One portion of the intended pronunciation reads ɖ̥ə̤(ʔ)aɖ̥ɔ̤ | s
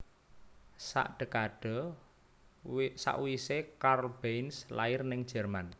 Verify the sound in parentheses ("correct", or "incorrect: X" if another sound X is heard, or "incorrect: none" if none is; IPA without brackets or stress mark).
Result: incorrect: k